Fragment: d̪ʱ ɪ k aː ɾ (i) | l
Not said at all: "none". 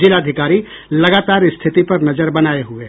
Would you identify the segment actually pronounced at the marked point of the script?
i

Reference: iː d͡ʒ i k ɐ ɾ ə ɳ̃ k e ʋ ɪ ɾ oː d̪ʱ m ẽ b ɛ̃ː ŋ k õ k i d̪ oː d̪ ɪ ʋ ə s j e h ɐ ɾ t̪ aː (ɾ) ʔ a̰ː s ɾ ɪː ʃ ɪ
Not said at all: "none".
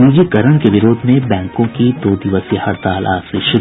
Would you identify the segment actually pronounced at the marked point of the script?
l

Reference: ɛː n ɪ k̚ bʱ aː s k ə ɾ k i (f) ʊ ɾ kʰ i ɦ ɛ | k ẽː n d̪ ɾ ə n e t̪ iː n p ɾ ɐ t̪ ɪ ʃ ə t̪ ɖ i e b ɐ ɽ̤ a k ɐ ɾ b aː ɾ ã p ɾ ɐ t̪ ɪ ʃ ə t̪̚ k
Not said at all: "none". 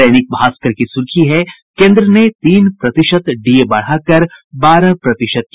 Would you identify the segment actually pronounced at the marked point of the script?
s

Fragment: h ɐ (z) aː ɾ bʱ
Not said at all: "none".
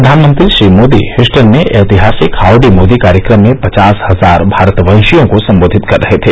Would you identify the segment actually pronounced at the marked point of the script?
z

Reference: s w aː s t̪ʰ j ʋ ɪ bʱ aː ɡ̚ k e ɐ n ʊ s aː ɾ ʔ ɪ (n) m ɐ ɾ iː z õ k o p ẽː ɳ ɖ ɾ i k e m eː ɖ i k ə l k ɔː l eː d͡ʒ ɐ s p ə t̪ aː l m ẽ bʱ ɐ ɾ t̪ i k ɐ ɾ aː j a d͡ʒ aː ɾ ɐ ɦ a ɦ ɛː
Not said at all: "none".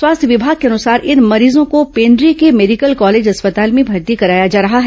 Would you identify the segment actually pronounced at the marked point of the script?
n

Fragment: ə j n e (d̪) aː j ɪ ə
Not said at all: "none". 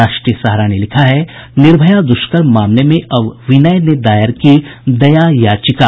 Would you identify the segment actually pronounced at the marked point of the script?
d̪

